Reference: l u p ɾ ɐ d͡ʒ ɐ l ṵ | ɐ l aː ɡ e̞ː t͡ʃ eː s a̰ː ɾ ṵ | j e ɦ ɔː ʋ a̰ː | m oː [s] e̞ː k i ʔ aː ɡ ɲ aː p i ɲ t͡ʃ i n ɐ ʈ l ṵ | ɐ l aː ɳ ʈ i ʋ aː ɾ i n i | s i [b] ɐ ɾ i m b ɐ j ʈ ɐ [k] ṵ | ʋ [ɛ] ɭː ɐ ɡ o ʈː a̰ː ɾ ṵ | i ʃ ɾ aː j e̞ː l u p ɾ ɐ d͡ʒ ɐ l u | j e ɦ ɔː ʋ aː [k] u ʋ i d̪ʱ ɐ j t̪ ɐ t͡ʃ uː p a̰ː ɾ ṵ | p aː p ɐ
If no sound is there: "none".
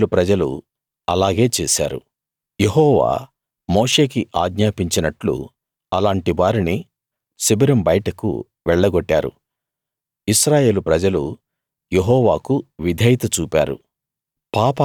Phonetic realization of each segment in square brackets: ʂ, b, k, ɛ, k

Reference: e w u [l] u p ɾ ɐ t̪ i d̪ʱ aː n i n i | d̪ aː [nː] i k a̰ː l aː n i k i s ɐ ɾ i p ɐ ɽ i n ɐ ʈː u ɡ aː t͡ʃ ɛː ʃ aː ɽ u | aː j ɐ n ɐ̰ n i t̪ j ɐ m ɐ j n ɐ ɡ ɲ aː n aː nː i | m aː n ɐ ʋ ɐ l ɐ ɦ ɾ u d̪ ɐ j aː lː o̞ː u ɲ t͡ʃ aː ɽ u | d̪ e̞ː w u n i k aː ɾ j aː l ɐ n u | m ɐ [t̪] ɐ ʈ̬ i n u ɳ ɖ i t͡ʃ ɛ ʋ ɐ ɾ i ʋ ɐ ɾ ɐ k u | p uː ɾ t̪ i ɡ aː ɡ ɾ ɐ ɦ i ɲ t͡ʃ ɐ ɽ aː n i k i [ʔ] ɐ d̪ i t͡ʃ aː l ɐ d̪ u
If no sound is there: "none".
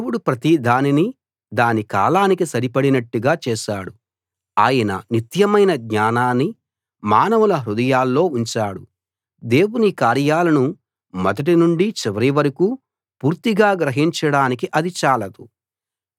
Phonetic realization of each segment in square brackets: ɽ, n, d̪, ʔ

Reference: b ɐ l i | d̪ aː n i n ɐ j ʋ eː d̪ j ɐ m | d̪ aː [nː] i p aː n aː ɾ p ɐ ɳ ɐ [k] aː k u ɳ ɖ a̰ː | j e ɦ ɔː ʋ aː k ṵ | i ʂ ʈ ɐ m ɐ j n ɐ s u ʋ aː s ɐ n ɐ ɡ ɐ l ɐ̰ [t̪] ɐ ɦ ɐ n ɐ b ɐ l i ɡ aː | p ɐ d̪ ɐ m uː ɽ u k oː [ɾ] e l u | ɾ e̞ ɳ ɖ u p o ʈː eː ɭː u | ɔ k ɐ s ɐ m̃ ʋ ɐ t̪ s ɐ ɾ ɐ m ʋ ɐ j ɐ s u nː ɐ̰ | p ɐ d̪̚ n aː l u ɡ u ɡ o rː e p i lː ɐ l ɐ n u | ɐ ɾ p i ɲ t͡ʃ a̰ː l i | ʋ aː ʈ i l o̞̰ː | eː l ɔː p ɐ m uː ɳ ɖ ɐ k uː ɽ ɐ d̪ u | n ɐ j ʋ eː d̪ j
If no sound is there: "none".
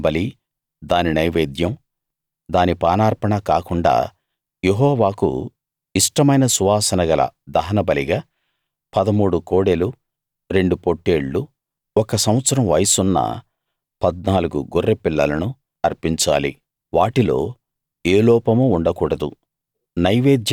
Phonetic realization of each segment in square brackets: n, k, d̪, ɽ

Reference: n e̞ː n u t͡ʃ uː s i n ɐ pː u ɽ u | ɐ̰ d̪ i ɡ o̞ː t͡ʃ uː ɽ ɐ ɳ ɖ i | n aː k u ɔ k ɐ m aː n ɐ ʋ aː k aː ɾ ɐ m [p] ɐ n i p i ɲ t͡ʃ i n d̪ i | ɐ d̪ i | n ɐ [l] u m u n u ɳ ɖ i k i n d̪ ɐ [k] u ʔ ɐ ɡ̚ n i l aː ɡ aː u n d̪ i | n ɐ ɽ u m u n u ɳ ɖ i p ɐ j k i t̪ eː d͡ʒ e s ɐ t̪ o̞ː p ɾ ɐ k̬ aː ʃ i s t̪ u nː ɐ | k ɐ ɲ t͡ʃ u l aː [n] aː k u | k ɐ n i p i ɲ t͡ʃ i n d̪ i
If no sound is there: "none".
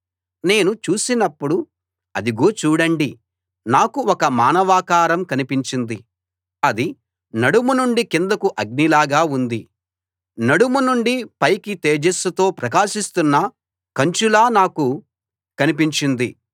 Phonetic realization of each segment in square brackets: k, ɽ, k, n

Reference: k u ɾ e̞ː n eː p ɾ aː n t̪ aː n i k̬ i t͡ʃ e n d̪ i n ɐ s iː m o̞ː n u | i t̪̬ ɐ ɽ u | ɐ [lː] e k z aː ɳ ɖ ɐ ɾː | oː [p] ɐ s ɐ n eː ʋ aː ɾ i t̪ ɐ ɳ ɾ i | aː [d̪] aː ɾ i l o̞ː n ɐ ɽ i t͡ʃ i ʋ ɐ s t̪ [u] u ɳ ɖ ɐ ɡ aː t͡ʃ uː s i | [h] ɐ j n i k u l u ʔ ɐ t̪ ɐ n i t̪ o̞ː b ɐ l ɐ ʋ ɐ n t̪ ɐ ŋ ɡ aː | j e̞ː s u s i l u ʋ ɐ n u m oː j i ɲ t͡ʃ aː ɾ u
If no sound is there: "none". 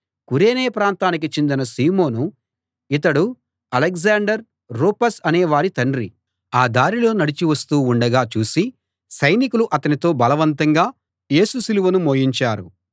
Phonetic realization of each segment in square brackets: l, p, d̪, uː, s

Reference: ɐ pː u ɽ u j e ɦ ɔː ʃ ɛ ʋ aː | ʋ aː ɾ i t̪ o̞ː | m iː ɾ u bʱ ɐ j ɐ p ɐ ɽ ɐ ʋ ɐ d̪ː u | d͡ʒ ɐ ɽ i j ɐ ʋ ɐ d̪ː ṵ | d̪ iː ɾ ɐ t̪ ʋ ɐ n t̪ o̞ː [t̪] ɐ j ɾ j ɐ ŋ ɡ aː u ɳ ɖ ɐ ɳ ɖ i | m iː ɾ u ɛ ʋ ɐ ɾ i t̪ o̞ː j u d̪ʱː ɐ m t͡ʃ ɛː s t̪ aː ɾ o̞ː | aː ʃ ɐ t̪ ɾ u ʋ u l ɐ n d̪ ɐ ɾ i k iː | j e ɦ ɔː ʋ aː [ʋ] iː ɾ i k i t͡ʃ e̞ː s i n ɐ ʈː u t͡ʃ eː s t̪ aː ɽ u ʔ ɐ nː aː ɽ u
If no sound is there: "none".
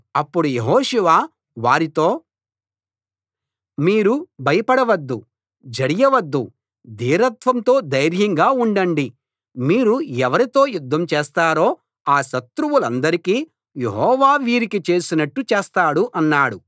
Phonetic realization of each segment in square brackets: d̪, ʋ

